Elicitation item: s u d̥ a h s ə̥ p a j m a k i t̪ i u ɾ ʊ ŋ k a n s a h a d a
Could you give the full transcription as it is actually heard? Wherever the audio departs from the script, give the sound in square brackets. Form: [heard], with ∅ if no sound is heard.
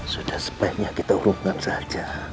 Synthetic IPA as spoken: s u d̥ a h s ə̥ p a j [ɲ] a k i t̪ [a] u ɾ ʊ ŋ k a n s a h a [d͡ʒ] a